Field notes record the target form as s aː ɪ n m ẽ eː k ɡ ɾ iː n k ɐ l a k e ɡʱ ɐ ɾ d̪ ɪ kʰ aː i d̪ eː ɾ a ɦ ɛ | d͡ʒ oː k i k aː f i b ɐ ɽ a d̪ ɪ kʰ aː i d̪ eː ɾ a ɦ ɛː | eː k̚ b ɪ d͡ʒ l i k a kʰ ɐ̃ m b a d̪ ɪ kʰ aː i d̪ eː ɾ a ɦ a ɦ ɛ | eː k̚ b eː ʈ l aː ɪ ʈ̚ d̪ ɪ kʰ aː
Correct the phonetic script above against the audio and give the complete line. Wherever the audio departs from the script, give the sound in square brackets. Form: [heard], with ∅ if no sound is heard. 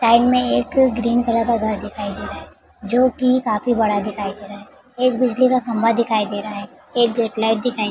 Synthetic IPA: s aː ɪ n m ẽ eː k ɡ ɾ iː n k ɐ l a k [a] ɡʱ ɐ ɾ d̪ ɪ kʰ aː i d̪ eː ɾ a ɦ ɛ | d͡ʒ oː k i k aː f i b ɐ ɽ a d̪ ɪ kʰ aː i d̪ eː ɾ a ɦ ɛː | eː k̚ b ɪ d͡ʒ l i k a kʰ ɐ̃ m b a d̪ ɪ kʰ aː i d̪ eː ɾ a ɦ a ɦ ɛ | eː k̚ [ɡ] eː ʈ l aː ɪ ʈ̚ d̪ ɪ kʰ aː

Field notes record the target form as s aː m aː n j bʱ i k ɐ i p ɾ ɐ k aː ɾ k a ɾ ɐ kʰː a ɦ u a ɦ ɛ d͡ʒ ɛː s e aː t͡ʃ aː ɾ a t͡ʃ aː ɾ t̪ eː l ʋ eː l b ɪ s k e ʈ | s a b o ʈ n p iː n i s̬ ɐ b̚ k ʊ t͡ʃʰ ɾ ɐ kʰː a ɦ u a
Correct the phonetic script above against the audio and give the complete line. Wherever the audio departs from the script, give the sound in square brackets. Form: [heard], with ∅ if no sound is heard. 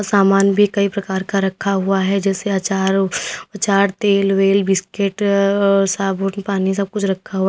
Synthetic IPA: s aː m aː n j bʱ i k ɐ i p ɾ ɐ k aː ɾ k a ɾ ɐ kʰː a ɦ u a ɦ ɛ d͡ʒ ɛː s e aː t͡ʃ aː ɾ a t͡ʃ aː ɾ t̪ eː l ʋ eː l b ɪ s k e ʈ | s a b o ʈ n p [aː] n i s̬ ɐ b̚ k ʊ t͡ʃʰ ɾ ɐ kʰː a ɦ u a

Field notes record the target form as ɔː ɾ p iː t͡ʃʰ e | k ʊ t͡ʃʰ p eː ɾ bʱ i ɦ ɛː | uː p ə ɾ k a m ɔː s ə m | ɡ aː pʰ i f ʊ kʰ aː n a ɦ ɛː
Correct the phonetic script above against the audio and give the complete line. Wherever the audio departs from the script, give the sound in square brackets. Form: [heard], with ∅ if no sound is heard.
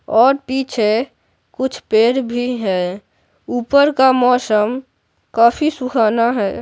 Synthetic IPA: ɔː ɾ p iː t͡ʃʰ e | k ʊ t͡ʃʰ p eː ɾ bʱ i ɦ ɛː | uː p ə ɾ k a m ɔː s ə m | [k] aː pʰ i [s] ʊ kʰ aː n a ɦ ɛː

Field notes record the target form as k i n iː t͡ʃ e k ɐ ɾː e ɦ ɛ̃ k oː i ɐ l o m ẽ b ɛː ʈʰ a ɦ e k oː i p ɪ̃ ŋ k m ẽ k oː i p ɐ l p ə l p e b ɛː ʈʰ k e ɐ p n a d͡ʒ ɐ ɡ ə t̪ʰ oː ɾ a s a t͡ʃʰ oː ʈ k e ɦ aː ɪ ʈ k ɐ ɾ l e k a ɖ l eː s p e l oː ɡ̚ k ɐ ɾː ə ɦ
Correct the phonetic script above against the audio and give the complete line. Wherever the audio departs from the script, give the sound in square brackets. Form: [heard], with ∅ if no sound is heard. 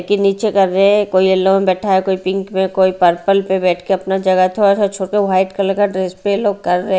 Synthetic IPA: k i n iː t͡ʃ e k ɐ ɾː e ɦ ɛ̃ k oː i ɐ l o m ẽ b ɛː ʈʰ a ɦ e k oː i p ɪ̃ ŋ k m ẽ k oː i p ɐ [ɾ] p ə l p e b ɛː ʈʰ k e ɐ p n a d͡ʒ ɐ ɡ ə t̪ʰ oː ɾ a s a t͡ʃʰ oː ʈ k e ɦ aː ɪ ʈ k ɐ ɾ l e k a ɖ [ɾ] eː s p e l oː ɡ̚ k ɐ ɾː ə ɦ

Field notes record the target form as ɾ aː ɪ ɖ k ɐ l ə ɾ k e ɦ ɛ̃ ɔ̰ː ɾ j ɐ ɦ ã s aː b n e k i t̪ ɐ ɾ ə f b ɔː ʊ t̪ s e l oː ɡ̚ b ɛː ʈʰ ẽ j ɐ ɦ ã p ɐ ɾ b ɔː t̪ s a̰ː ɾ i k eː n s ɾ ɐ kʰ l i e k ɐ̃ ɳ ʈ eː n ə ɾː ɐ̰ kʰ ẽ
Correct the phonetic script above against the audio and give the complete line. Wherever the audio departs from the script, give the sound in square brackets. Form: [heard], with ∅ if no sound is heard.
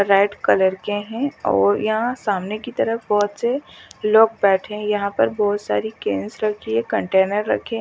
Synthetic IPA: ɾ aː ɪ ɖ k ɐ l ə ɾ k e ɦ ɛ̃ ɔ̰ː ɾ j ɐ ɦ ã s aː [m] n e k i t̪ ɐ ɾ ə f b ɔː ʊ t̪ s e l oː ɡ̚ b ɛː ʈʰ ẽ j ɐ ɦ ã p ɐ ɾ b ɔː t̪ s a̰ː ɾ i k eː n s ɾ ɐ kʰ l i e k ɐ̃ ɳ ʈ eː n ə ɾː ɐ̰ kʰ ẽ

